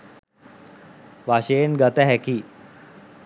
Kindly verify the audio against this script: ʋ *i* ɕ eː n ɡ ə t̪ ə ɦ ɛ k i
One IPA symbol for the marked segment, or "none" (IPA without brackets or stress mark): a